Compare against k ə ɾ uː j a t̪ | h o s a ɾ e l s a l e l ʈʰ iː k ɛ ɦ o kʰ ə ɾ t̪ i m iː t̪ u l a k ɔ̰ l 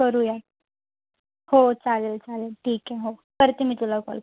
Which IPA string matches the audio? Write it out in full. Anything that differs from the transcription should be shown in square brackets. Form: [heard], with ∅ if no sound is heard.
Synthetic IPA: k ə ɾ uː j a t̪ | h o [t͡s] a [l] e l [t͡s] a l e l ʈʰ iː k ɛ ɦ o [k] ə ɾ t̪ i m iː t̪ u l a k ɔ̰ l